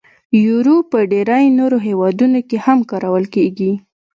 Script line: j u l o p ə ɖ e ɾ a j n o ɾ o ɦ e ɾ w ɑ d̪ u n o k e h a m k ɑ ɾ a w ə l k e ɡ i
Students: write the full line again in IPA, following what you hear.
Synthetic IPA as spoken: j u ɾ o p ə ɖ e ɾ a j n o ɾ o ɦ e w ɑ d̪ u n o k e h a m k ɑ ɾ a w ə l k e ɡ i

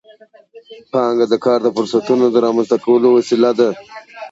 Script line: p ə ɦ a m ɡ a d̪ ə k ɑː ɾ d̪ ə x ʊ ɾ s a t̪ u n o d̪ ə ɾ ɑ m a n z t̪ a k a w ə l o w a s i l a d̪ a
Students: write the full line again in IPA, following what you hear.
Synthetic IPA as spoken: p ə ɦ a ŋ ɡ a d̪ ə k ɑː ɾ d̪ ə f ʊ ɾ s a t̪ u n o d̪ ə ɾ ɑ m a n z t̪ a k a w ə l o w a s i l a d̪ a

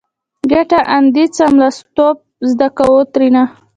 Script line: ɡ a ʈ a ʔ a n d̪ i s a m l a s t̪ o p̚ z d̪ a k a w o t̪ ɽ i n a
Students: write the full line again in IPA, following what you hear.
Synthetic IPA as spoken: ɡ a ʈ a ʔ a n d̪ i t͡s a m l a s t̪ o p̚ z d̪ a k a w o t̪ ɾ i n a

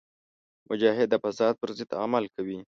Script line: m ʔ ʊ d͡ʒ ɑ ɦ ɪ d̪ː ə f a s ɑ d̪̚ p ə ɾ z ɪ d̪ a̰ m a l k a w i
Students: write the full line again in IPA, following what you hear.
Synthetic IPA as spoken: m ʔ ʊ d͡ʒ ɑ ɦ ɪ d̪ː ə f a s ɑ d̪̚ p ə ɾ z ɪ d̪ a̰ m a l k a w i

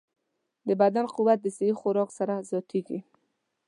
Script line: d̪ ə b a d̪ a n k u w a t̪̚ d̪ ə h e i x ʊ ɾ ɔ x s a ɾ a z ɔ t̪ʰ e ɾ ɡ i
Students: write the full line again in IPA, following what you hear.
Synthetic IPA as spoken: d̪ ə b a d̪ a n q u w a t̪̚ d̪ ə s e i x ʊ ɾ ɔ k s a ɾ a z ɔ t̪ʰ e ɡ i

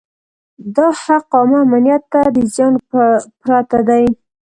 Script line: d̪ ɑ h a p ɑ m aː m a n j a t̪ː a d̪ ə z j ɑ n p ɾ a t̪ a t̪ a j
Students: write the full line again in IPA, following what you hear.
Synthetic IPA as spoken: d̪ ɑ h a q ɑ m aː m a n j a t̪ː a d̪ ə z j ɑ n p ɾ a t̪ a d̪ a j

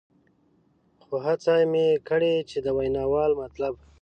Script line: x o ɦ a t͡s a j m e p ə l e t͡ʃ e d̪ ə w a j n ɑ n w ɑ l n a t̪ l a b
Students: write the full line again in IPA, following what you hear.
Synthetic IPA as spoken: x o ɦ a t͡s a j m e k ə ɽ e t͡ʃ e d̪ ə w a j n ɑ w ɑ l m a t̪ l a b

